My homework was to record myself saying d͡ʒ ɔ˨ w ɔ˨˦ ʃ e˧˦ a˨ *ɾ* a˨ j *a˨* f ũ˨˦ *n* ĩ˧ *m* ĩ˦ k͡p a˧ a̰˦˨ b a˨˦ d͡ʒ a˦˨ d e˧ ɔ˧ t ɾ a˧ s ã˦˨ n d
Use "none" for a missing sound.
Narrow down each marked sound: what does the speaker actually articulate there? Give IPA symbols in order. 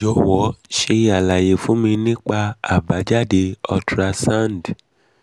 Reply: l, e˨, m, n

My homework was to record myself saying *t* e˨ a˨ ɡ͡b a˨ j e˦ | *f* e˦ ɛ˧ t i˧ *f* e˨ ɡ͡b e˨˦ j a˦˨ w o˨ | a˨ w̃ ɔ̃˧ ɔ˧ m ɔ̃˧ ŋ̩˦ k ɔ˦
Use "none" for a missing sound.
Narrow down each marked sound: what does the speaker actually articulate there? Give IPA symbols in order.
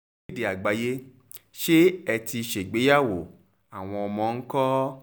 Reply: d, ʃ, ʃ

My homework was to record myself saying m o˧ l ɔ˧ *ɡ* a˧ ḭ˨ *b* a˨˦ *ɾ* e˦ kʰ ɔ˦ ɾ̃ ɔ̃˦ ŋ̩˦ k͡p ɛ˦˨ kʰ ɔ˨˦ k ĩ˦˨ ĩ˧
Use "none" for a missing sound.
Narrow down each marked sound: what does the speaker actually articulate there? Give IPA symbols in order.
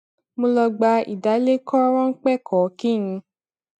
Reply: ɡ͡b, d, l

